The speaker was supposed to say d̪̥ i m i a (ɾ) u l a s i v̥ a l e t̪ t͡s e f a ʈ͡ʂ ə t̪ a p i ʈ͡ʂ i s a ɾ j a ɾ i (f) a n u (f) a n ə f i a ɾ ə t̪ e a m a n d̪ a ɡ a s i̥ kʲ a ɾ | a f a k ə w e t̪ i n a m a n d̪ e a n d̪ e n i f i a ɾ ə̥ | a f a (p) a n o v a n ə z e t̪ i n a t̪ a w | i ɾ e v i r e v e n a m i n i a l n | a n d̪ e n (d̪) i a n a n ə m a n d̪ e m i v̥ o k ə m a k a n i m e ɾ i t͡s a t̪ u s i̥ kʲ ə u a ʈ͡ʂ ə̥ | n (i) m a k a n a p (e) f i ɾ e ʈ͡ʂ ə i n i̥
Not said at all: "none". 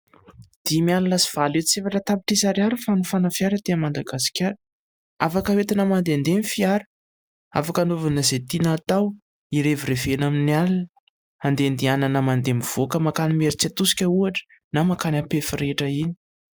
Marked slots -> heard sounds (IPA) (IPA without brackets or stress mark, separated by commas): l, f, f, k, d̪, a, e